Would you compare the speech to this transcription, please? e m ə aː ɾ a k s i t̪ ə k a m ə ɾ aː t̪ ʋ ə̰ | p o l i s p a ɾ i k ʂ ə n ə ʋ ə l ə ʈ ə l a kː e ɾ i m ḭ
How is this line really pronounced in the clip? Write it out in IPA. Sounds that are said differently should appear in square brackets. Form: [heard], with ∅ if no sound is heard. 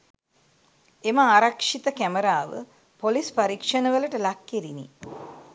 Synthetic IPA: e m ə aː ɾ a k [ʂ] i t̪ ə k [æ] m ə ɾ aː [∅] ʋ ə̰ | p o l i s p a ɾ i k ʂ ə n ə ʋ ə l ə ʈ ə l a kː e ɾ i [n] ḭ